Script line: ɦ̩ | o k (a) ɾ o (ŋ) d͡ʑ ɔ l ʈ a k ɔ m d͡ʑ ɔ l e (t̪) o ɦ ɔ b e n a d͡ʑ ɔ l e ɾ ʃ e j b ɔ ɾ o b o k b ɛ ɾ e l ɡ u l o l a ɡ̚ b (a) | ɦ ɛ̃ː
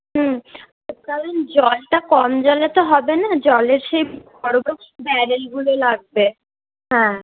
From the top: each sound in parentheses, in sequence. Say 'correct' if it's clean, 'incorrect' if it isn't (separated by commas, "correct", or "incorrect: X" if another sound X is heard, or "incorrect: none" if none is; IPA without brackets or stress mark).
correct, incorrect: n, correct, incorrect: e